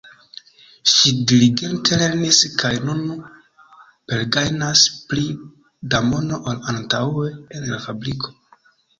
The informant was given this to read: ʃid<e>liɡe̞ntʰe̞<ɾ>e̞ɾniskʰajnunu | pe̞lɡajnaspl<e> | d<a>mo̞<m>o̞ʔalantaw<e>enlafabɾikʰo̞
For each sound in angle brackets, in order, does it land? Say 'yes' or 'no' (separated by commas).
no, no, no, yes, no, yes